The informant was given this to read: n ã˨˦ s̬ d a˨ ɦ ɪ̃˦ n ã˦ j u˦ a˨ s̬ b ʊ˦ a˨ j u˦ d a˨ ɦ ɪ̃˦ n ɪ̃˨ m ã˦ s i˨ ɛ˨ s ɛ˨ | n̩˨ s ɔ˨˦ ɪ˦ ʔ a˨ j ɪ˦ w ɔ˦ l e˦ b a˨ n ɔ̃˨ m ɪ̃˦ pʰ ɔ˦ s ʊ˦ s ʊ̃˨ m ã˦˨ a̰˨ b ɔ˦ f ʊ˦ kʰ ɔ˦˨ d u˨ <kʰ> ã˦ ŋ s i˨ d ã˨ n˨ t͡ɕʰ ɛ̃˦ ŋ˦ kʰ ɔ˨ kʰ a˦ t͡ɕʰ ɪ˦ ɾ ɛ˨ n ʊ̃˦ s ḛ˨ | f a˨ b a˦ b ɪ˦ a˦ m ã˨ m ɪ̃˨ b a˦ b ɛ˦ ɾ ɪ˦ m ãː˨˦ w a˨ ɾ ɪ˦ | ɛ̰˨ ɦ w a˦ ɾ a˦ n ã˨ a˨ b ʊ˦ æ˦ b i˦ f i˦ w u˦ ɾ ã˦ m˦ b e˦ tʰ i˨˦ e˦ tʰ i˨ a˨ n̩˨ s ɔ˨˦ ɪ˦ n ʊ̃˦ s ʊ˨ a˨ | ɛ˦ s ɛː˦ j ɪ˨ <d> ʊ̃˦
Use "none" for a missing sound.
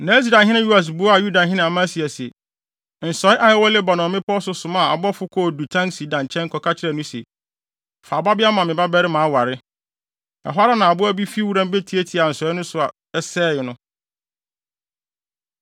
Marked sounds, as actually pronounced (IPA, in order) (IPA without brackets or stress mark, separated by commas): tʰ, n